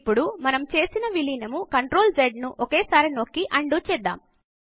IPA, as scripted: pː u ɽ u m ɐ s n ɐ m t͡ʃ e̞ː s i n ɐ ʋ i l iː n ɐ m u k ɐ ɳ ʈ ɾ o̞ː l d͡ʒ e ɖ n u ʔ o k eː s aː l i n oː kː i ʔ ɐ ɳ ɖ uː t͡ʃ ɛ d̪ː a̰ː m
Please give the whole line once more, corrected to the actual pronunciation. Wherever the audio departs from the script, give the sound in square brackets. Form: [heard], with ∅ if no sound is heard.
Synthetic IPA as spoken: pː u ɽ u m ɐ [∅] n ɐ m t͡ʃ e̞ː s i n ɐ ʋ i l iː n ɐ m u k ɐ ɳ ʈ ɾ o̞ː l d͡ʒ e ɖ n u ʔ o k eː s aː [ɾ] i n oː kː i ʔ ɐ ɳ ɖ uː t͡ʃ ɛ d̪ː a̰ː m